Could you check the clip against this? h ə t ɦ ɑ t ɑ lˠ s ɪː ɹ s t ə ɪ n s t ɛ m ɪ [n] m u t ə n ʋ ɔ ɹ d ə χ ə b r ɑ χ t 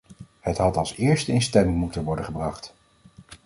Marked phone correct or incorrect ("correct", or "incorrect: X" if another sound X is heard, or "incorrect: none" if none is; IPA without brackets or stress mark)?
incorrect: ŋ